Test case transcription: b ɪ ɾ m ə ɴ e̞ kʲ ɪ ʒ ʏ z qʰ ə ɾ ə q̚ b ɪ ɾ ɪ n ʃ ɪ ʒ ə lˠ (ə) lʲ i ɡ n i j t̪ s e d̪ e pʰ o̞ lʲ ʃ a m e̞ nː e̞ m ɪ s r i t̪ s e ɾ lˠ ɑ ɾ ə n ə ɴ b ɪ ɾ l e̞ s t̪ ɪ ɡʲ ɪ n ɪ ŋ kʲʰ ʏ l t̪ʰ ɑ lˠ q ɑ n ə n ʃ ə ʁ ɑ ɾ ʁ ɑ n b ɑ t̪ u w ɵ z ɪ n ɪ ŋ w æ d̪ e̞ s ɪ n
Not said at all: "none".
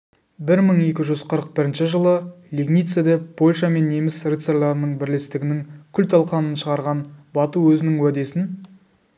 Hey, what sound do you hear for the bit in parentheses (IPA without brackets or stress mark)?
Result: ə